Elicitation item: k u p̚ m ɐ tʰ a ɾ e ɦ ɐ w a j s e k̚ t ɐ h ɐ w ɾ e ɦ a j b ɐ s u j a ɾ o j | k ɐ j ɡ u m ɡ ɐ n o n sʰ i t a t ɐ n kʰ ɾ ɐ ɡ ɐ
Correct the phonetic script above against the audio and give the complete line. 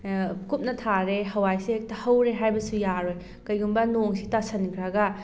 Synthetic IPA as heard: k u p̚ n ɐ tʰ a ɾ e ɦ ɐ w a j s e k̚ t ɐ h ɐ w ɾ e ɦ a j b ɐ s u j a ɾ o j | k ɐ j ɡ u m b ɐ n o ŋ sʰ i t a s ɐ n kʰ ɾ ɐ ɡ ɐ